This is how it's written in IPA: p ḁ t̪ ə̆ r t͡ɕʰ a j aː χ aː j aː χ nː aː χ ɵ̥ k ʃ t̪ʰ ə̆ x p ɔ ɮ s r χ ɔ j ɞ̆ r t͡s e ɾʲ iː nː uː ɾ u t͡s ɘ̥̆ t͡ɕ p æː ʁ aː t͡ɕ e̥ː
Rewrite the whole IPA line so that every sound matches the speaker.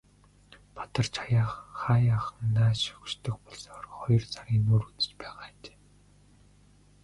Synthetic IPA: p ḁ t̪ ə̆ r t͡ɕʰ a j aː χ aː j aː χ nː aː ʃ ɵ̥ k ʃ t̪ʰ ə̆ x p ɔ ɮ s r χ ɔ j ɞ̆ r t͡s a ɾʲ iː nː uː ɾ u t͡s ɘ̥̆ t͡ɕ p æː ʁ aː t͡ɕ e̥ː